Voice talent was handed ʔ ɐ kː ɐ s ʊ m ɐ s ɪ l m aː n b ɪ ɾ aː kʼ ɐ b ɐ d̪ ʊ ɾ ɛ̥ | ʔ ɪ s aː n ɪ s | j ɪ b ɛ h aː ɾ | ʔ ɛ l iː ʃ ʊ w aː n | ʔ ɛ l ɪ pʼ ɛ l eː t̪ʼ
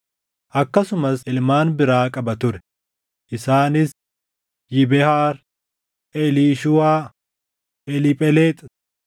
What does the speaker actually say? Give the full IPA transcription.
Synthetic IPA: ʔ ɐ kː ɐ s ʊ m ɐ s ɪ l m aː n b ɪ ɾ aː kʼ ɐ b ɐ t̪ ʊ ɾ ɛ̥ | ʔ ɪ s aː n ɪ s | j ɪ b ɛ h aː ɾ | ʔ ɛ l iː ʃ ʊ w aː | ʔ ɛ l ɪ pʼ ɛ l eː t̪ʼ